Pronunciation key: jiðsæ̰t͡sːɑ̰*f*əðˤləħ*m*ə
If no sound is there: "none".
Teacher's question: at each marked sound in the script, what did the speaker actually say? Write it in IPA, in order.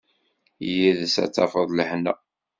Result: f, n

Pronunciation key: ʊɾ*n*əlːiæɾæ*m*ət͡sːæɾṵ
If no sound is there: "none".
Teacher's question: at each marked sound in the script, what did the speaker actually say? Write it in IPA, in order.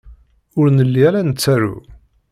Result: n, n

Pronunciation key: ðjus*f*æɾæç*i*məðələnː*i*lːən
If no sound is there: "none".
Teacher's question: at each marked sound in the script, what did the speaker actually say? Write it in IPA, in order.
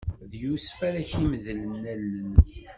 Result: f, i, æ

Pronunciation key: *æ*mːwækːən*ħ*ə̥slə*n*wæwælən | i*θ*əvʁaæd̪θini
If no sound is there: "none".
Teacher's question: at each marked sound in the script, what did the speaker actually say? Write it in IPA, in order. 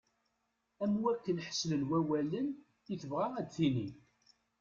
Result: æ, ħ, n, θ

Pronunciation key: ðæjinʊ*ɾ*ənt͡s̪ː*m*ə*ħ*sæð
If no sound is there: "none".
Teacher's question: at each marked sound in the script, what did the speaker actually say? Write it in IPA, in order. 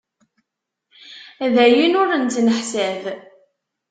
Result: ɾ, n, ħ

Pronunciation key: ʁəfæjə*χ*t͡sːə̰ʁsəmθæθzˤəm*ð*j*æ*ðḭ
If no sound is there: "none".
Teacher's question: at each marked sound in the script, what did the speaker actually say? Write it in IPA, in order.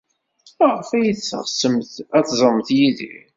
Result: θ, θ, i

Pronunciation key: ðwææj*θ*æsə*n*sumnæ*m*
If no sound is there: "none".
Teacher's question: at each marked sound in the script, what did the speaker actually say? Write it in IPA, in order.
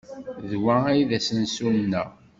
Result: ð, n, none

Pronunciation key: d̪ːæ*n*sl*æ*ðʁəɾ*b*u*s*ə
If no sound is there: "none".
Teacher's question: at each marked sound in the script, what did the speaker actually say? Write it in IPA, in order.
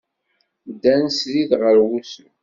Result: n, i, w, s

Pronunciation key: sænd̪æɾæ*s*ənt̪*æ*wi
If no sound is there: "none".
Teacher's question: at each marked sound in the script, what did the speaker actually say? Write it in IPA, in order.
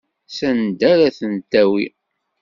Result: θ, æ

